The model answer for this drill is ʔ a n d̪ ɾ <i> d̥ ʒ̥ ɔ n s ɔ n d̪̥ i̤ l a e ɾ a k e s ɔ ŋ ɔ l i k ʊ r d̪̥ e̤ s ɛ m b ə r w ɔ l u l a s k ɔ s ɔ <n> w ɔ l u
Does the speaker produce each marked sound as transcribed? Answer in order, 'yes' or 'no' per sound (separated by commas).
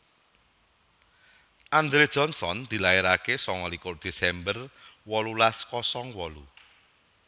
no, no